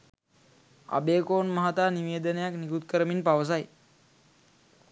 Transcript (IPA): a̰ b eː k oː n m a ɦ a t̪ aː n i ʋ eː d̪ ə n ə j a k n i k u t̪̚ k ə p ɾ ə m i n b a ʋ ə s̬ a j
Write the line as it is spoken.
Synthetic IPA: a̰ b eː k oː n m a ɦ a t̪ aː n i ʋ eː d̪ ə n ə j a k n i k u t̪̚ k ə ɾ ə m i n p a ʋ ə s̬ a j